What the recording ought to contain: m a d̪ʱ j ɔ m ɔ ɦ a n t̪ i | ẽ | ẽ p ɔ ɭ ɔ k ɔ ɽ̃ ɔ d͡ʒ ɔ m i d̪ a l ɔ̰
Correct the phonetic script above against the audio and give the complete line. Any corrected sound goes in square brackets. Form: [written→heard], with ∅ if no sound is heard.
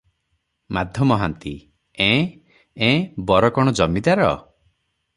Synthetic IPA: m a d̪ʱ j ɔ m ɔ ɦ a n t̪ i | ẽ | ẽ [p→b] ɔ [ɭ→ɾ] ɔ k ɔ ɽ̃ ɔ d͡ʒ ɔ m i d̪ a [l→ɾ] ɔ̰